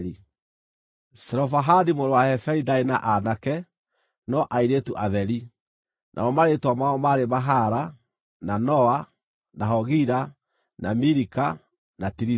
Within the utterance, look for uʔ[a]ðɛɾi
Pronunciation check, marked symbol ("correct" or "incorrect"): correct